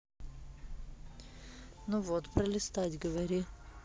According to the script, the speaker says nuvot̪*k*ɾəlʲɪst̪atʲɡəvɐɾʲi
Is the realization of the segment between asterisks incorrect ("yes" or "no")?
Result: yes